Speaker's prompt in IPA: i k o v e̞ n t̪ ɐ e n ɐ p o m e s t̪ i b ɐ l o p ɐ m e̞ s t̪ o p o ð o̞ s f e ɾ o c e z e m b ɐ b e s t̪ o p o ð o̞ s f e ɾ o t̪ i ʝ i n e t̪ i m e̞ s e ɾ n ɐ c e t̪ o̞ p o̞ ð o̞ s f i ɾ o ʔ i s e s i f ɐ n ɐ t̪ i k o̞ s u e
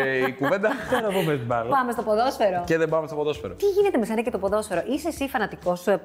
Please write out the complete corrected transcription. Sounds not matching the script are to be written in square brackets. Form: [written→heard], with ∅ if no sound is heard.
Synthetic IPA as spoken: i k [o→u] v e̞ n [t̪→d̪] ɐ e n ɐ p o m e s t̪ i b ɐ l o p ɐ m e̞ s t̪ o p o ð o̞ s f e ɾ o c e [z→ð] e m b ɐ [b→m] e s t̪ o p o ð o̞ s f e ɾ o t̪ i ʝ i n e t̪ [i→e] m e̞ s e [ɾ→∅] n ɐ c e t̪ o̞ p o̞ ð o̞ s f [i→e] ɾ o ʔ i s e s i f ɐ n ɐ t̪ i k o̞ s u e